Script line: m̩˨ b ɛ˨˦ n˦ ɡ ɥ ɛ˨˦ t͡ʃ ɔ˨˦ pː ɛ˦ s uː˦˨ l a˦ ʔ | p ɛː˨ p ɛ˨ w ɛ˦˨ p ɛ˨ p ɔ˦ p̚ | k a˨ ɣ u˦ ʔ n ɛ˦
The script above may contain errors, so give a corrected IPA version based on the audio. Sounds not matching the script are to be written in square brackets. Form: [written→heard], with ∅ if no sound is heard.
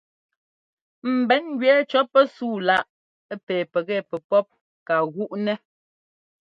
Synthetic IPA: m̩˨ b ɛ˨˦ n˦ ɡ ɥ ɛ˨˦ t͡ʃ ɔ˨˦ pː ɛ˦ s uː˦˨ l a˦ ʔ | p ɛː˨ p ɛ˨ [w→ɣ] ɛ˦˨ p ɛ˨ p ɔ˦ p̚ | k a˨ ɣ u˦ ʔ n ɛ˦